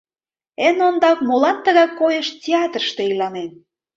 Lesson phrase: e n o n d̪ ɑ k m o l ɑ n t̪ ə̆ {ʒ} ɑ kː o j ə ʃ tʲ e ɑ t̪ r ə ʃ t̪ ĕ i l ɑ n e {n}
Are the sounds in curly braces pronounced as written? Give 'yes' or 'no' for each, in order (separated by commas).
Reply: no, yes